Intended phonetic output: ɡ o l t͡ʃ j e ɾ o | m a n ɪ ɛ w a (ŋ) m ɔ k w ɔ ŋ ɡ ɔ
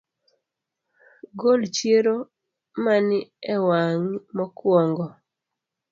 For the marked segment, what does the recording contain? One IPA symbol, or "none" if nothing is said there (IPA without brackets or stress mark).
ŋ